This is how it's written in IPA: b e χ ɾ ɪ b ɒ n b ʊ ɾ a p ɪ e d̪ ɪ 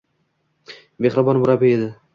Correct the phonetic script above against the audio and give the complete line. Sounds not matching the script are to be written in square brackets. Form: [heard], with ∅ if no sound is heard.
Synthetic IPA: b e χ ɾ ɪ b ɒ n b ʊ ɾ a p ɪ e d̪ ɪ